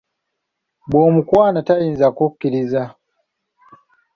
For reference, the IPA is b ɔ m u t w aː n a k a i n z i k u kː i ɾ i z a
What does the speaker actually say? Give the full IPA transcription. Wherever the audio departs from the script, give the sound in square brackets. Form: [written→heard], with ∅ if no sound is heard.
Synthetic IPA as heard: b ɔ m u [t→k] w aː n a [k→t] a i n z [i→a] k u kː i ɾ i z a